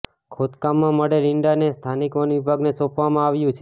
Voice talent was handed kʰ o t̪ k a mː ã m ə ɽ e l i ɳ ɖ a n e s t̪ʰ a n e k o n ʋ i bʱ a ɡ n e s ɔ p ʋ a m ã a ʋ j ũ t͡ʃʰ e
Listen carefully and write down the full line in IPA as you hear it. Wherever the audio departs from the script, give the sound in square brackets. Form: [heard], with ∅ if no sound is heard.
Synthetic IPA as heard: kʰ o t̪ k a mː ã m ə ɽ e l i ɳ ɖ a n e s t̪ʰ a n [i] k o n ʋ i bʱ a ɡ n e s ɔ p ʋ a m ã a ʋ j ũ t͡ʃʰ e